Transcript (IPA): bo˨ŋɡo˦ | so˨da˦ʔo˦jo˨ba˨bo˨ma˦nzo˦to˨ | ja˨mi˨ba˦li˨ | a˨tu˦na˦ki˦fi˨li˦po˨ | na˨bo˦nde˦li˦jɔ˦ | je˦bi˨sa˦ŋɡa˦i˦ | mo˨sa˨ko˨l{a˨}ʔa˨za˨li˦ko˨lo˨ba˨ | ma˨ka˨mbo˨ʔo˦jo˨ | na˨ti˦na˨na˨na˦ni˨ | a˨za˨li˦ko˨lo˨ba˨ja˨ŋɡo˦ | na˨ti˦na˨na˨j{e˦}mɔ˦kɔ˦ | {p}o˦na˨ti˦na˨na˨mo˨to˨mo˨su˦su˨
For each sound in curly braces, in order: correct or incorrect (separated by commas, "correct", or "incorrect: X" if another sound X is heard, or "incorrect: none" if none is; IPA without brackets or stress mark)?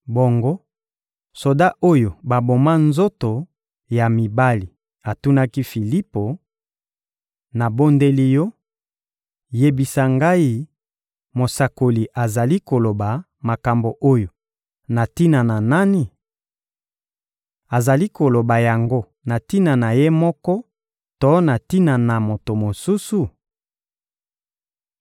incorrect: i˨, correct, incorrect: t